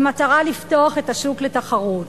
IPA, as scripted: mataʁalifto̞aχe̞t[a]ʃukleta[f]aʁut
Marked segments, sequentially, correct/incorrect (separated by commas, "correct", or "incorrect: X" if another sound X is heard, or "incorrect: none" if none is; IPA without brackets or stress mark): correct, incorrect: χ